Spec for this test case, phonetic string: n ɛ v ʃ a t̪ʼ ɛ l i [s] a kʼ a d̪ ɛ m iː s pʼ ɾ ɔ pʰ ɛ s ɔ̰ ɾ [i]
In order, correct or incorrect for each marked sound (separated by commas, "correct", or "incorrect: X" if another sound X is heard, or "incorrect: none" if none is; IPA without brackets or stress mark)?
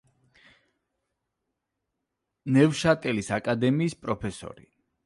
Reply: correct, correct